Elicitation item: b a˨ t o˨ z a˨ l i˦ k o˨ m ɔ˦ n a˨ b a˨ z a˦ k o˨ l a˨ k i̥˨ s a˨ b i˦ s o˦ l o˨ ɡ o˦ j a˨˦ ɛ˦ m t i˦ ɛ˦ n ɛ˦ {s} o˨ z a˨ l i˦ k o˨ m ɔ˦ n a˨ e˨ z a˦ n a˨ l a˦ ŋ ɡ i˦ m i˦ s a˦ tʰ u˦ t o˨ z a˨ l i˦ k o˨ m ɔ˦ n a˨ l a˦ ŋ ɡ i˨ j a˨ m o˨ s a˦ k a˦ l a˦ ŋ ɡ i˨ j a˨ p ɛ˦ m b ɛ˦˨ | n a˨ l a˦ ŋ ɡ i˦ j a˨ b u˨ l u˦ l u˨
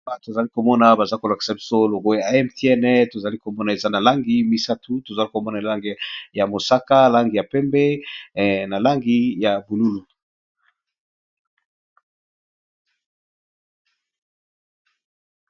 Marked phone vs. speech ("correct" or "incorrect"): incorrect